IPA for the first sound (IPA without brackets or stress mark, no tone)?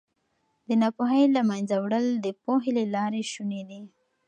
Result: d̪